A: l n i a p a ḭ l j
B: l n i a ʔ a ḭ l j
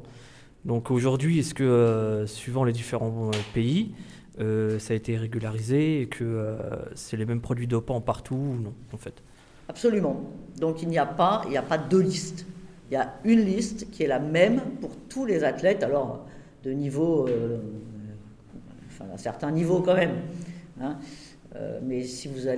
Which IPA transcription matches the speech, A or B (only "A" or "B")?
A